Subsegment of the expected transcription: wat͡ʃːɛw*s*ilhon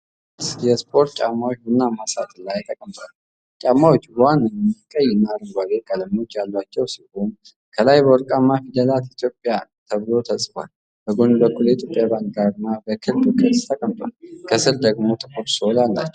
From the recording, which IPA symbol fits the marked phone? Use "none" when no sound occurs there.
s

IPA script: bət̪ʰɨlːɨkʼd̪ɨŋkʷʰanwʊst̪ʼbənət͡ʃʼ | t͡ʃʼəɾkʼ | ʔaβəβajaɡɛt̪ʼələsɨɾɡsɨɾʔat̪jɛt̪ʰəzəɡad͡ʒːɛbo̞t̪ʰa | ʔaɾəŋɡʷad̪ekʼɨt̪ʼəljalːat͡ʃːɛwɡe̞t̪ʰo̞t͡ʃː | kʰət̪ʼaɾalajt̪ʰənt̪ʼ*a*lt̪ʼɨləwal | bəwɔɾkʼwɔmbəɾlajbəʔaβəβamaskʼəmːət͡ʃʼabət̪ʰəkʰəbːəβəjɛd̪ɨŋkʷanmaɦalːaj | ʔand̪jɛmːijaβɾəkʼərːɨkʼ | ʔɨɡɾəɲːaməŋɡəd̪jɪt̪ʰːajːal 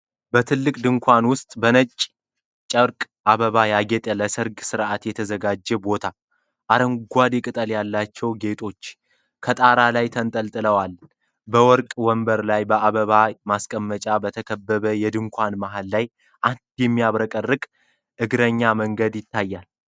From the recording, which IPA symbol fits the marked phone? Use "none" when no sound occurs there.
ə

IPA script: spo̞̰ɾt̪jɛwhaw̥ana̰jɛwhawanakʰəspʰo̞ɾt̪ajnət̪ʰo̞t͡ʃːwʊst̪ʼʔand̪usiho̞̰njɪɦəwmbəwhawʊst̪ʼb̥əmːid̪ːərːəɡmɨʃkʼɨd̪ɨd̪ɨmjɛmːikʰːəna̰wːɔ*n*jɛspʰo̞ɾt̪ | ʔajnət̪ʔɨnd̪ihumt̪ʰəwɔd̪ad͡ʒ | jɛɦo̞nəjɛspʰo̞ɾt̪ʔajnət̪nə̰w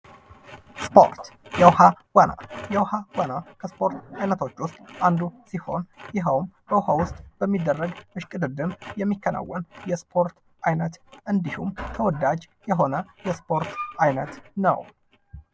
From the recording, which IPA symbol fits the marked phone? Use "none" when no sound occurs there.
n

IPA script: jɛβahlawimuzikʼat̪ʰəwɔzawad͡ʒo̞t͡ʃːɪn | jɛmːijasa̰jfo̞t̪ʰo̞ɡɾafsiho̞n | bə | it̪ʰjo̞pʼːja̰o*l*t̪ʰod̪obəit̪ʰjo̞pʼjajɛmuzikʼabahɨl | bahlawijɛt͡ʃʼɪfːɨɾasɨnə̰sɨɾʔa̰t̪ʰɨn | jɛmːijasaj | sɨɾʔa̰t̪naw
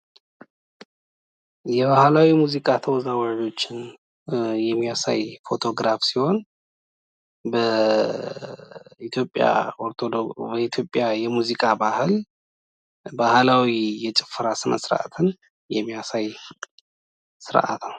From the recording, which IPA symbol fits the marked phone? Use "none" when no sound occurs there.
ɾ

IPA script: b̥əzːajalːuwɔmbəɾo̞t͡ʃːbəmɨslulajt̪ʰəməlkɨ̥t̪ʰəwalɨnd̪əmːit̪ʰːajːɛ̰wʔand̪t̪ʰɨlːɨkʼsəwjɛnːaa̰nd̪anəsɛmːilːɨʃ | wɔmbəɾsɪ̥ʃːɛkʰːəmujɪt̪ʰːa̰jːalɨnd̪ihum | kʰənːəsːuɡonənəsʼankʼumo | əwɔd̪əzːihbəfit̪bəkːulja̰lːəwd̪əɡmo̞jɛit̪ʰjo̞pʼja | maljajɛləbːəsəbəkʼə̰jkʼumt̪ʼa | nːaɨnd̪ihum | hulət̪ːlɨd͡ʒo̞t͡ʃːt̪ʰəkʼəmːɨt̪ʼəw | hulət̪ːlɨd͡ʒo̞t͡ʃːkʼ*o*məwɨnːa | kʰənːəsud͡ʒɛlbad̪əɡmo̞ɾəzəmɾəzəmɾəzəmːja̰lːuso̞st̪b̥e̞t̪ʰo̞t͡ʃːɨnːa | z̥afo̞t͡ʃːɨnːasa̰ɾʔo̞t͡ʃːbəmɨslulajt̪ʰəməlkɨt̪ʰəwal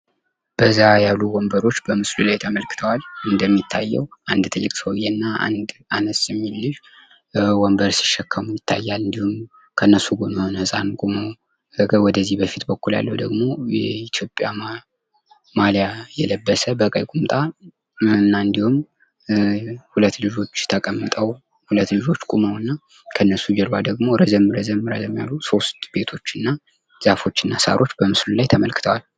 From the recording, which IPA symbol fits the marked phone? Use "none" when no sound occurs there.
u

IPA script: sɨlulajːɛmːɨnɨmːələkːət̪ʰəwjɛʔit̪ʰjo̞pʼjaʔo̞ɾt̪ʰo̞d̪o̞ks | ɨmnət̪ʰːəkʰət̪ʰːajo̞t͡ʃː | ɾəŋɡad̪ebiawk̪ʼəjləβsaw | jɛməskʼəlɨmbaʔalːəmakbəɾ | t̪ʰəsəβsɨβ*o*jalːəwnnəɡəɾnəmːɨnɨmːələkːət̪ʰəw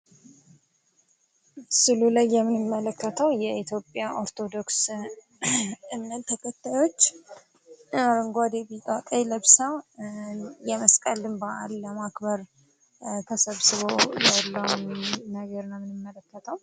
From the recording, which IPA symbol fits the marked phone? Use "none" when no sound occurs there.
o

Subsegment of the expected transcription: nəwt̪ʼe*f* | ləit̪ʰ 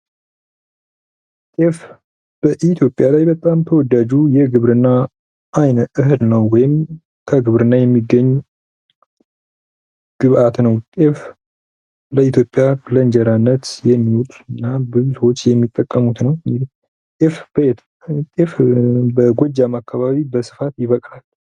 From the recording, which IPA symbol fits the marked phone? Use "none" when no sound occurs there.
f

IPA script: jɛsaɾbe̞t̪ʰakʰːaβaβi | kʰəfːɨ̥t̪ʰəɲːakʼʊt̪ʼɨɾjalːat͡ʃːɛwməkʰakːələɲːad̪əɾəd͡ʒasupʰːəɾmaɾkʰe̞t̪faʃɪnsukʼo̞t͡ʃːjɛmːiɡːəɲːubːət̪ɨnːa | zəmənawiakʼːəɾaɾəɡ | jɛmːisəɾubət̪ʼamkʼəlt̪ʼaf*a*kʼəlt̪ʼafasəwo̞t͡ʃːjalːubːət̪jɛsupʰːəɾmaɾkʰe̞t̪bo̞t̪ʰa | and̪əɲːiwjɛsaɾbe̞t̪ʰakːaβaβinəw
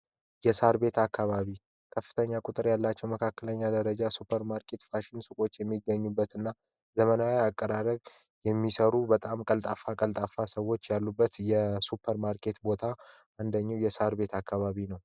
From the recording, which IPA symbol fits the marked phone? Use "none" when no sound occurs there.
a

